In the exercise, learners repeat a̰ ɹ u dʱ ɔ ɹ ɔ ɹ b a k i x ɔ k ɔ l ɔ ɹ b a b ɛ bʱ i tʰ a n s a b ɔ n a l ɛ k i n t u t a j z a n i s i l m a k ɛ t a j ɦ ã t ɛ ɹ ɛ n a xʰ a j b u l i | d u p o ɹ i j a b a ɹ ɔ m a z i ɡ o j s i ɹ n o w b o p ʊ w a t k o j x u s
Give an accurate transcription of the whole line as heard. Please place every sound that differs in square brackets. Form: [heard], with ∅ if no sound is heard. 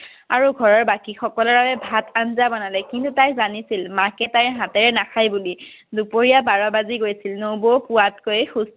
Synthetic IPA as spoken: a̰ ɹ u [ɡʱ] ɔ ɹ ɔ ɹ b a k i x ɔ k ɔ l ɔ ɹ b a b ɛ bʱ [a] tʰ a n [z] a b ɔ n a l ɛ k i n t u t a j z a n i s i l m a k ɛ t a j ɦ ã t ɛ ɹ ɛ n a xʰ a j b u l i | d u p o ɹ i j a b a ɹ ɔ [b] a z i ɡ o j s i [l] n o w b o p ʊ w a t k o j x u s